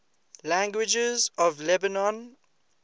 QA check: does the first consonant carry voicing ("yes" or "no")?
yes